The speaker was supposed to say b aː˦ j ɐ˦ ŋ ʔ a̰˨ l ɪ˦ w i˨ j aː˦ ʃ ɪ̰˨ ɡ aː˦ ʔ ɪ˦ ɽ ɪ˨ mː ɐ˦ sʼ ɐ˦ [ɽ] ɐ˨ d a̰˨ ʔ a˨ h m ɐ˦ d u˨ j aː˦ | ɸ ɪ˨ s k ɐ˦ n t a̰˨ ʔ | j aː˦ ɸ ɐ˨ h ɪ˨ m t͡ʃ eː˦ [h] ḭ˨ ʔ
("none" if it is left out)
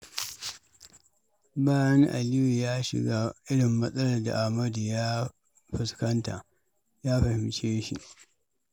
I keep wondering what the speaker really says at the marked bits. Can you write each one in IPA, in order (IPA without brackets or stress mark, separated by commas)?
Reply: l, ʃ